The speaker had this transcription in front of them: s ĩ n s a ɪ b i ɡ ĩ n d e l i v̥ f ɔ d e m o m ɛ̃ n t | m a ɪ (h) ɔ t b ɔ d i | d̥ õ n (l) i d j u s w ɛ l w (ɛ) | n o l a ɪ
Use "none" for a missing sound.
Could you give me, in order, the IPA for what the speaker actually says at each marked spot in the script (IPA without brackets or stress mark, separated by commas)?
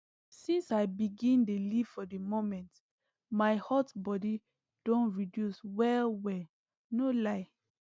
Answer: h, ɹ, ɛ